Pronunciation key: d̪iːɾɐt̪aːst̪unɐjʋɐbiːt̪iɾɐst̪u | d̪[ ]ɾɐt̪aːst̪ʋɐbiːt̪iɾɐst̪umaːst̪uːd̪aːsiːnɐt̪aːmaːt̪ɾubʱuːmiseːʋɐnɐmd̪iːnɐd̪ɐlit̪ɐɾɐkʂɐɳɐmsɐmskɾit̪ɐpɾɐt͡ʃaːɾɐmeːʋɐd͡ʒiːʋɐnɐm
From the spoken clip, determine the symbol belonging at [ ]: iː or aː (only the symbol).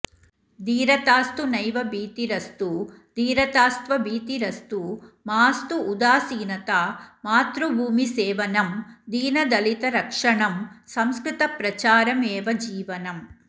iː